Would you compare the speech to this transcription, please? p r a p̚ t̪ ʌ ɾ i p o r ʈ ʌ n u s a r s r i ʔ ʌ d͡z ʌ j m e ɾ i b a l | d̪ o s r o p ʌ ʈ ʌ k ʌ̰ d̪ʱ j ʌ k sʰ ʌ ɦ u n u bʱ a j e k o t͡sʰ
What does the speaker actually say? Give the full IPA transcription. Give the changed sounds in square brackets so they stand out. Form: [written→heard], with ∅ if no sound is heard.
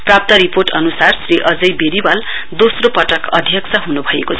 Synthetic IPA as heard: p r a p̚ t̪ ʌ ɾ i p o r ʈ ʌ n u s a r s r i ʔ ʌ d͡z ʌ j [m→b] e ɾ i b a l | d̪ o s r o p ʌ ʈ ʌ k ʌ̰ d̪ʱ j ʌ k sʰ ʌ ɦ u n u bʱ [a→ʌ] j e k o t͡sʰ